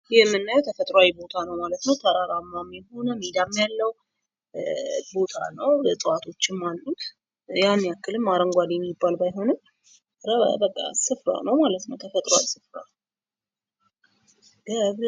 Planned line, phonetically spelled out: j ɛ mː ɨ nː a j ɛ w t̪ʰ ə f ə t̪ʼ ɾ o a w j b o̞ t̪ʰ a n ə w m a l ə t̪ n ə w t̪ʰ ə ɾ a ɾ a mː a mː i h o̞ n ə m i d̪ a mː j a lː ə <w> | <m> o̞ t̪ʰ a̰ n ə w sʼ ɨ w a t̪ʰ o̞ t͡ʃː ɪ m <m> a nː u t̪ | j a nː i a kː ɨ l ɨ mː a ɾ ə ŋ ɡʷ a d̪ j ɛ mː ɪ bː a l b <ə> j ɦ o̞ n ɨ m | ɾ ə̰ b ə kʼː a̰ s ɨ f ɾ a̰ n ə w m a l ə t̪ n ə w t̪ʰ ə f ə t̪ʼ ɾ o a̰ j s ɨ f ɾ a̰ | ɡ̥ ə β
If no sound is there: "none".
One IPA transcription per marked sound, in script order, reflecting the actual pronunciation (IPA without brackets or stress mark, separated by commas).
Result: w, b, m, a